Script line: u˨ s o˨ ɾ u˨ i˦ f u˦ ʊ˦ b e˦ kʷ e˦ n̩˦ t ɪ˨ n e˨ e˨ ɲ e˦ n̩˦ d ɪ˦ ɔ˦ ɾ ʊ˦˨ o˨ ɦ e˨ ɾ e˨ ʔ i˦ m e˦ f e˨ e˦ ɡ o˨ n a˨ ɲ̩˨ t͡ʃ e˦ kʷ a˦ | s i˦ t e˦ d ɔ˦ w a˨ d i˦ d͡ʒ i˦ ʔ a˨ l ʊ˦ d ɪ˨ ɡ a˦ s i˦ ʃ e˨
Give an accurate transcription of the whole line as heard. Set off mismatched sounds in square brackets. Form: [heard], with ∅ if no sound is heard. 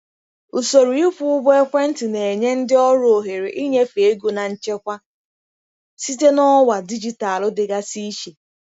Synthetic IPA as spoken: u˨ s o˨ ɾ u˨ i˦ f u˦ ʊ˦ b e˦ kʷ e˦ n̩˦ t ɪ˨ n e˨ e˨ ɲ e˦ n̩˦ d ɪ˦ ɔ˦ ɾ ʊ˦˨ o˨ ɦ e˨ ɾ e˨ ʔ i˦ [ɲ] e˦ f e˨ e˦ ɡ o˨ n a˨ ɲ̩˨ t͡ʃ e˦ kʷ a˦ | s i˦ t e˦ [n] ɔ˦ w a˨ d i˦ d͡ʒ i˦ [t] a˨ l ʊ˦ d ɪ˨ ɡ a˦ s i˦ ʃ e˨